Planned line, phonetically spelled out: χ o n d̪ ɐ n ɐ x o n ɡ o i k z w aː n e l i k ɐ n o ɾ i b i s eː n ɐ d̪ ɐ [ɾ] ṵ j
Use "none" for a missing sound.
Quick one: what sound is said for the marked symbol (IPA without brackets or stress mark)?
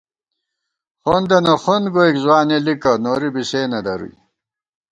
ɾ